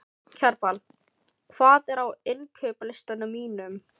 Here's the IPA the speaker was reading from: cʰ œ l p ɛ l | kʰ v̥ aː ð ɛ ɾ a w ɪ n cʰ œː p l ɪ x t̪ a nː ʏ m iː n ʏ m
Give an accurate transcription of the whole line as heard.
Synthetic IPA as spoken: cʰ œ ɾ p a l | kʰ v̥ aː ð ɛ ɾ a w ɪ n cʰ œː p l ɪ s t̪ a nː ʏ m iː n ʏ m

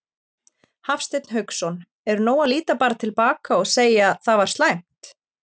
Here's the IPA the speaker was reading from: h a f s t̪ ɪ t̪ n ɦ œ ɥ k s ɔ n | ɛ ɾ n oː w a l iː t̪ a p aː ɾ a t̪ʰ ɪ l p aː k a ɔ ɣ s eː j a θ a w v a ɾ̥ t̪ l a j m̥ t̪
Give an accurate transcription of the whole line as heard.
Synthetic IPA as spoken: h a f s t̪ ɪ t̪ n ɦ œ ɥ k s ɔ n | ɛ ɾ n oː w a l iː t̪ a p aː ɾ a t̪ʰ ɪ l p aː k a ɔ ɣ s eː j a θ a v a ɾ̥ t̪ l a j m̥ t̪

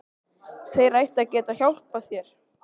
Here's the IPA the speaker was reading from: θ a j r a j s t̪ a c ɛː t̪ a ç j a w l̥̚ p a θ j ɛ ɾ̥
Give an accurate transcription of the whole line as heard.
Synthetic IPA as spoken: θ e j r a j h t̪ a c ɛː t̪ a ç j a w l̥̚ p a θ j ɛ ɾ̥

